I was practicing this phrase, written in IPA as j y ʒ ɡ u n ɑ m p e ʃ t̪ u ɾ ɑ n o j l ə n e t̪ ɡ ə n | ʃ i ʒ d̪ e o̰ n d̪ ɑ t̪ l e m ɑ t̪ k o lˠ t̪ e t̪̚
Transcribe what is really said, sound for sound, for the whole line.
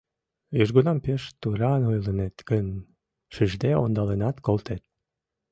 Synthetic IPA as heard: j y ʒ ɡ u n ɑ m p e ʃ t̪ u ɾ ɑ n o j l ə n e t̪ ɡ ə n | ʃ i ʒ d̪ e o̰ n d̪ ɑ l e n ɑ t̪ k o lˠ t̪ e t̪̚